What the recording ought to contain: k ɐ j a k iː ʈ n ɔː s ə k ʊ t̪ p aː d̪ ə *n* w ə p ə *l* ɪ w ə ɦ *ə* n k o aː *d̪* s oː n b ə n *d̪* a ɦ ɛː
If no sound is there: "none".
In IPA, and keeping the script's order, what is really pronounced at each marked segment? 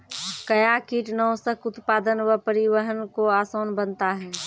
n, ɾ, ə, none, t̪

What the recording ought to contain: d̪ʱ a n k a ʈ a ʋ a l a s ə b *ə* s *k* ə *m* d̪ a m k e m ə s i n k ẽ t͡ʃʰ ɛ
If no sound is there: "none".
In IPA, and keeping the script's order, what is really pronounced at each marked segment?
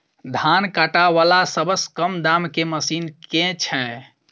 ə, k, m

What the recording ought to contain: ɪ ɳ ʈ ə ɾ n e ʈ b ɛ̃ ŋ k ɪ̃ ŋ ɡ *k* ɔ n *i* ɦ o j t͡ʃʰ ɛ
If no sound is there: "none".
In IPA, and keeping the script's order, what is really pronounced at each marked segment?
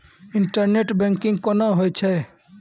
k, a

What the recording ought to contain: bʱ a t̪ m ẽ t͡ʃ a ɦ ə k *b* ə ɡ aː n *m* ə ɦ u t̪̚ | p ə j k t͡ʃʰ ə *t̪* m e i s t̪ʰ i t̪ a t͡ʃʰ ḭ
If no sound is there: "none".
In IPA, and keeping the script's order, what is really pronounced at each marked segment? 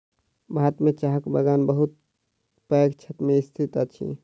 b, b, t̪

